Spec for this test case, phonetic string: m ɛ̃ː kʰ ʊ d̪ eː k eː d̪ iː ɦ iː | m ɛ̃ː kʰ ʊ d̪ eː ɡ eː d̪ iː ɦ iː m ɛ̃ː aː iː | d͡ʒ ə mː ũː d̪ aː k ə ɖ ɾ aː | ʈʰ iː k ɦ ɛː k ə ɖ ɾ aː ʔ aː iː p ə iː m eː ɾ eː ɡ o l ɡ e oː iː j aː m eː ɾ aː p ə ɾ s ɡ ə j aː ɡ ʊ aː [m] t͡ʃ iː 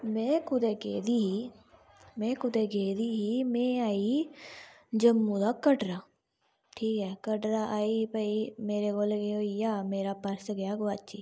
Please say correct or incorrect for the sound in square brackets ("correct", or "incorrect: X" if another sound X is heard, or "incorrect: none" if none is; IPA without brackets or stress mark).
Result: incorrect: none